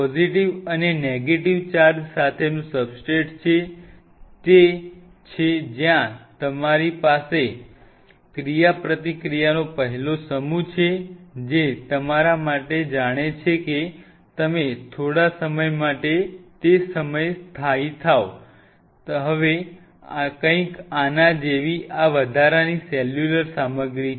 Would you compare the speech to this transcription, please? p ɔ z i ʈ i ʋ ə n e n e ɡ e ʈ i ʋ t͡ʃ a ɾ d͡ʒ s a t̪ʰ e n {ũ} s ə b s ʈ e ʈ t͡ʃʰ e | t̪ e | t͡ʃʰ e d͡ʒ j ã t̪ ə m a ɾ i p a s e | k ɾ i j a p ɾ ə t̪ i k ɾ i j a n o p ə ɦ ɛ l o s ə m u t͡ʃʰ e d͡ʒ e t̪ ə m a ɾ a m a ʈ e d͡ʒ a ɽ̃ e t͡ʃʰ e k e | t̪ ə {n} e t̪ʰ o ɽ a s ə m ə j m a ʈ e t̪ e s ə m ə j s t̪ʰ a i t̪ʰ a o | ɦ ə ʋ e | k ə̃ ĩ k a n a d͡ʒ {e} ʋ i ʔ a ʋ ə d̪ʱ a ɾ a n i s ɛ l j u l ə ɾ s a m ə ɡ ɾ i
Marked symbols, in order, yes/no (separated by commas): yes, no, yes